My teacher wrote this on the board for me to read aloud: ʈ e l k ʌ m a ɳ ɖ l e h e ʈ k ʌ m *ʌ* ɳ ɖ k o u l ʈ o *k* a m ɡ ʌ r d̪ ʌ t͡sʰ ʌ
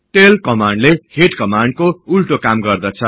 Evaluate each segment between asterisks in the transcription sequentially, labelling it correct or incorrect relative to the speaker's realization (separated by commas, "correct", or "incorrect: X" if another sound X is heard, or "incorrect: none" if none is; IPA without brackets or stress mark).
incorrect: a, correct